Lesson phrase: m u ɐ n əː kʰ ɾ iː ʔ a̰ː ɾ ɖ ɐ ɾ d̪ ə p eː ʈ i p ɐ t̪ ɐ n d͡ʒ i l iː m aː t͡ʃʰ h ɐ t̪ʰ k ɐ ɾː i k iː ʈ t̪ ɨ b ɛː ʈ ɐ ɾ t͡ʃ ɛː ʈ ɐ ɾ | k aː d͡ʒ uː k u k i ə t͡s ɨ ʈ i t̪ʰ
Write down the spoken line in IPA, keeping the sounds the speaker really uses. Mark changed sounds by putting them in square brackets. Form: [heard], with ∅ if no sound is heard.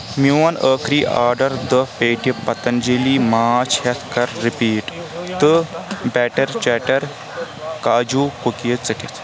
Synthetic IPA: m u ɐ n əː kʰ ɾ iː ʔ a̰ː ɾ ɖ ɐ ɾ d̪ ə p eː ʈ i p ɐ t̪ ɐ n d͡ʒ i l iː m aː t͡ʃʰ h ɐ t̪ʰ k ɐ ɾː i [p] iː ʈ t̪ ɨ b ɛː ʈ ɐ ɾ t͡ʃ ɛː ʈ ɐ ɾ | k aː d͡ʒ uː k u k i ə t͡s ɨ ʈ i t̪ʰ